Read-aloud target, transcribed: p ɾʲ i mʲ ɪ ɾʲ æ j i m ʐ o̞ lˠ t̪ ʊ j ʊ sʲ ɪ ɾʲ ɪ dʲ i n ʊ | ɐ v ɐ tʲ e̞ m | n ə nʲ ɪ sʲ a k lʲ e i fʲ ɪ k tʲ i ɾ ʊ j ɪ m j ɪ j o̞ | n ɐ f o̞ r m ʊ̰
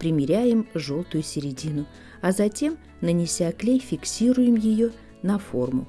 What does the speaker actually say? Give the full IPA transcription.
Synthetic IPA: p ɾʲ ɪ mʲ ɪ ɾʲ æ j ɪ m ʐ o̞ lˠ t̪ ʊ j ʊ sʲ ɪ ɾʲ ɪ dʲ i n ʊ | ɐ z ɐ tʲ e̞ m | n ə nʲ ɪ sʲ a k lʲ e j fʲ ɪ k sʲ i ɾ ʊ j ɪ m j ɪ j o̞ | n ɐ f o̞ r m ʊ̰

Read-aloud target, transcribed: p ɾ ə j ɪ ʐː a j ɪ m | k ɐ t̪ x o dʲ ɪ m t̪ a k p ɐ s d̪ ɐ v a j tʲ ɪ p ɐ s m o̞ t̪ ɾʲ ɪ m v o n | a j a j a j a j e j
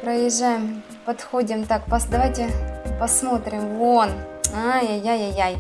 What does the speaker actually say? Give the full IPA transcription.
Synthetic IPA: p ɾ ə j ɪ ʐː a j ɪ m | p ɐ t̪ x o dʲ ɪ m t̪ a k p ɐ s d̪ ɐ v a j tʲ ɪ p ɐ s m o̞ t̪ ɾʲ ɪ m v o n | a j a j a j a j a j

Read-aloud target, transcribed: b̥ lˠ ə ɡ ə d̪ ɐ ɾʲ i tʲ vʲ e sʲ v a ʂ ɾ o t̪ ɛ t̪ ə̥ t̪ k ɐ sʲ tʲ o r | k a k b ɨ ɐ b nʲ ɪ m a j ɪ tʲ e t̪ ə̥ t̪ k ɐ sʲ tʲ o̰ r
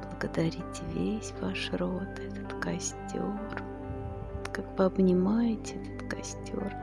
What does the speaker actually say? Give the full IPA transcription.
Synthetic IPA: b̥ lˠ ə ɡ ə d̪ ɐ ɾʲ i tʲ vʲ e sʲ v a ʂ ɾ o t̪ ɛ t̪ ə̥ t̪ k ɐ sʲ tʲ o r | k a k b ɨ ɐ b nʲ ɪ m a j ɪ tʲ ɛ t̪ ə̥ t̪ k ɐ sʲ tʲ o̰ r

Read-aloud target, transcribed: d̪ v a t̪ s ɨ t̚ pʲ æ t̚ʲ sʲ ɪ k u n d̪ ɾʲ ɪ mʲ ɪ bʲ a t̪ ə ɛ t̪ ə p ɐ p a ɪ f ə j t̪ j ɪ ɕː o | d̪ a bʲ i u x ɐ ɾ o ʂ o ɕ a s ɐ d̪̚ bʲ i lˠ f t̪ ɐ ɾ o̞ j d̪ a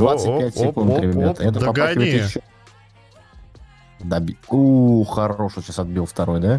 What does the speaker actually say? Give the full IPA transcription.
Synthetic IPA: d̪ v a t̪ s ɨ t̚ pʲ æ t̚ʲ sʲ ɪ k u n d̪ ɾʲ ɪ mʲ ɪ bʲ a t̪ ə ɛ t̪ ə p ɐ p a ɪ v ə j t̪ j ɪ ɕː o | d̪ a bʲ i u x ɐ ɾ o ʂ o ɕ a s ɐ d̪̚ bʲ i lˠ f t̪ ɐ ɾ o̞ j d̪ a

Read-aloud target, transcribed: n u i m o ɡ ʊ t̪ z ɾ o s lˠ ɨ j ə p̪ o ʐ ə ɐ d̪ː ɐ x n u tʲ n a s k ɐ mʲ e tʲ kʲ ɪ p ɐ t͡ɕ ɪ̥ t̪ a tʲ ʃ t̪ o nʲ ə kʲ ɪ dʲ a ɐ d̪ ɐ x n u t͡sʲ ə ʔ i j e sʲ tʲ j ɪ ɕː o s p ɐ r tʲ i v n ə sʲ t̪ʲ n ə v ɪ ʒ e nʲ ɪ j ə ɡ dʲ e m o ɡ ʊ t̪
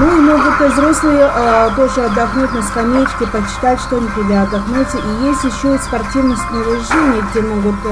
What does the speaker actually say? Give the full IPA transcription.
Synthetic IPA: n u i m o ɡ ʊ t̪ z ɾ o s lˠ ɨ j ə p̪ o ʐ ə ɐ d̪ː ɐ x n u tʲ n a s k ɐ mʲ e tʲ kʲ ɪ p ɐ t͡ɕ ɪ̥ t̪ a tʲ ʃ t̪ o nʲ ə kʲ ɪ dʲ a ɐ d̪ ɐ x n u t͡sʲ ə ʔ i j e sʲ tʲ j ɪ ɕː o s p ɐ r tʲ i v n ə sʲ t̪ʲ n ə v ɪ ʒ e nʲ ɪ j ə ɡ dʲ e m o ɡ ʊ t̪

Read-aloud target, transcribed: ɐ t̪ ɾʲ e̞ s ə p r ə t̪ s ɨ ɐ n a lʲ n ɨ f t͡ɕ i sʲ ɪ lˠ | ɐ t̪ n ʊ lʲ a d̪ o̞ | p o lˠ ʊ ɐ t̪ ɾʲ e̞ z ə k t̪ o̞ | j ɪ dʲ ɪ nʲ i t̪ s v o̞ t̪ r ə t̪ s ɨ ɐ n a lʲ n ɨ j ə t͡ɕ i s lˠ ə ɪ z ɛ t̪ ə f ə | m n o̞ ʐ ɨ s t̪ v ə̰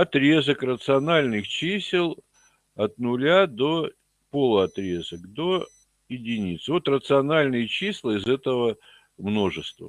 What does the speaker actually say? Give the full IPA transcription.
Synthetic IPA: ɐ t̪ ɾʲ e̞ z ə k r ə t̪ s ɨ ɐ n a lʲ n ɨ x t͡ɕ i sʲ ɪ lˠ | ɐ t̪ n ʊ lʲ a d̪ o̞ | p o lˠ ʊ ɐ t̪ ɾʲ e̞ z ə k d̪ o̞ | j ɪ dʲ ɪ nʲ i t̪ s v o̞ t̪ r ə t̪ s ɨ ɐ n a lʲ n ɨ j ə t͡ɕ i s lˠ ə ɪ z ɛ t̪ ə v ə | m n o̞ ʐ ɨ s t̪ v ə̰

